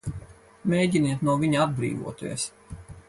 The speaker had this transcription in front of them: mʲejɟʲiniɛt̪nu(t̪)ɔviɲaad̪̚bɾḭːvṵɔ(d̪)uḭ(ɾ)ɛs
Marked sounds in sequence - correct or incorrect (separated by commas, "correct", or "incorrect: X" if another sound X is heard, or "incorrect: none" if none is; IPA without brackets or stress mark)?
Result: incorrect: none, incorrect: t̪, incorrect: none